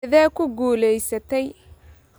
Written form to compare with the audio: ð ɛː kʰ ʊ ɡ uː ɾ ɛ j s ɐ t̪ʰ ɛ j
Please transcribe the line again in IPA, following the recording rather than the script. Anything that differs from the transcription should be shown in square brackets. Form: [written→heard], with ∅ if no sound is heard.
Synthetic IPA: ð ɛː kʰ ʊ ɡ uː [ɾ→l] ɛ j s ɐ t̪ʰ ɛ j